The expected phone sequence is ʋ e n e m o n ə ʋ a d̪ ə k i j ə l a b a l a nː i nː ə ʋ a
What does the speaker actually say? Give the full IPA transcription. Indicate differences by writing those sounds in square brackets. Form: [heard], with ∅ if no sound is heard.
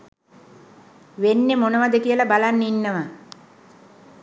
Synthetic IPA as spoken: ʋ e [nː] e m o n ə ʋ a d̪ ə k i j ə l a b a l a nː i nː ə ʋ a